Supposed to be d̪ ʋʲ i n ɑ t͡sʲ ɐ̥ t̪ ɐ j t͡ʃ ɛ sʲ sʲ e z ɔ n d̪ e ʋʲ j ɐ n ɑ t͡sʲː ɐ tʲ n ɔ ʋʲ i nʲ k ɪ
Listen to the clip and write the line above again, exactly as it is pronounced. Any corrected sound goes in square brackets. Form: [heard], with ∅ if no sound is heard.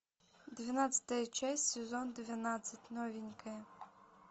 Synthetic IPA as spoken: d̪ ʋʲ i n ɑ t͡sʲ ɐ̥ t̪ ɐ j t͡ʃ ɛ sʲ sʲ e z ɔ n d̪ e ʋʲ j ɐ n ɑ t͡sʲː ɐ tʲ n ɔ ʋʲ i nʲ k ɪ